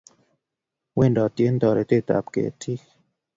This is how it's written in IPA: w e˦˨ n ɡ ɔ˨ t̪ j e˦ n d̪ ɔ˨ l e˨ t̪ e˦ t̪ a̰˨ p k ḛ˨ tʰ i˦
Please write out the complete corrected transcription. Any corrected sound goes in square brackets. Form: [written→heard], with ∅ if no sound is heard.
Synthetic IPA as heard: w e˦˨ n [ɡ→d] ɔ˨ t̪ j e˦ n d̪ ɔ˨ [l→ɾ] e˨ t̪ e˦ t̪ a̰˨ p k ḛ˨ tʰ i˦